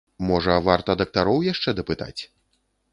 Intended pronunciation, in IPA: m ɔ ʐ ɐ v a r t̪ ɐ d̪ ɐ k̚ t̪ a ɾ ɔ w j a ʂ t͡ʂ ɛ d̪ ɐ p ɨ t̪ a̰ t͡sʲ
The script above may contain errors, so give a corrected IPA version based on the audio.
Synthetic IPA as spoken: m ɔ ʐ ɐ v a r t̪ ɐ d̪ ɐ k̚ t̪ a ɾ ɔ w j a ʂ t͡ʂ ɛ d̪ ɐ p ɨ t̪ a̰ t͡sʲ